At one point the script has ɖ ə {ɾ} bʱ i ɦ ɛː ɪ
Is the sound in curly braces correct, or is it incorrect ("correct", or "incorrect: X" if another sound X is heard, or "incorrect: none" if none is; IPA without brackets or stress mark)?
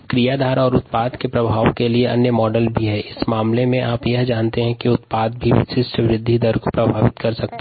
incorrect: l